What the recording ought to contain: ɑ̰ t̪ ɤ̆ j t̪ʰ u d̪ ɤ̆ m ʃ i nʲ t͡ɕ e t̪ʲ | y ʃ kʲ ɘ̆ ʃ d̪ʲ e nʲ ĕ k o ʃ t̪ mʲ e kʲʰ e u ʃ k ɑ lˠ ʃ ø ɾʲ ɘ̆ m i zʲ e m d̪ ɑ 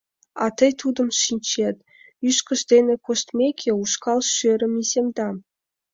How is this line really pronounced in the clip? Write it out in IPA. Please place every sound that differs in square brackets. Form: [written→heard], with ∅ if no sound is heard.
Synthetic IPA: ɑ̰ t̪ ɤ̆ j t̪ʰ u d̪ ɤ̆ m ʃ i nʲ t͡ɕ e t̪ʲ | y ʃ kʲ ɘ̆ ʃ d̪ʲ e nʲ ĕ k o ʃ t̪ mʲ e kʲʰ e u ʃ k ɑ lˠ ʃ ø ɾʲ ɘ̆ m i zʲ e m d̪ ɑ